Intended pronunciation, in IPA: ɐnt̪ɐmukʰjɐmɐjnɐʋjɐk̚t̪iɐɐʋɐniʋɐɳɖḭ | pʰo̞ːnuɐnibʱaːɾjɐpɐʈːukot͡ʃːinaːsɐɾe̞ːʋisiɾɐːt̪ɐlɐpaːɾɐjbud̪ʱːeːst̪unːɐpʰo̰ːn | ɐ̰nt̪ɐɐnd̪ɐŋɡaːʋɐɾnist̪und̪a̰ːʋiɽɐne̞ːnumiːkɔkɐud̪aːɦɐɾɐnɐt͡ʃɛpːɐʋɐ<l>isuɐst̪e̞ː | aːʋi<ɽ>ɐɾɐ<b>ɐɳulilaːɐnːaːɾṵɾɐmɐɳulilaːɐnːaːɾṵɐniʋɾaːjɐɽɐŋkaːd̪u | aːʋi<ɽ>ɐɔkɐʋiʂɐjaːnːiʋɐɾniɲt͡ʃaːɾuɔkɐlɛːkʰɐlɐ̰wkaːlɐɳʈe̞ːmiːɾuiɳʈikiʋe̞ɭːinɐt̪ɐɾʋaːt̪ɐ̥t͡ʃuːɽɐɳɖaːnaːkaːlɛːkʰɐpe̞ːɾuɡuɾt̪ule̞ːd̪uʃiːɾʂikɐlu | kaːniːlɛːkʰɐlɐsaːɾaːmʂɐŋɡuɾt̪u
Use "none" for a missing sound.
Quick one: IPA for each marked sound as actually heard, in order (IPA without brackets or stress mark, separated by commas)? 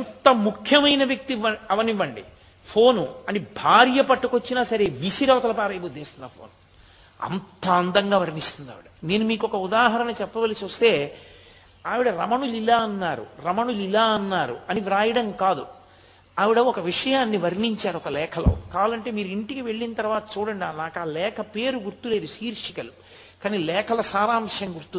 l, ɽ, m, ɽ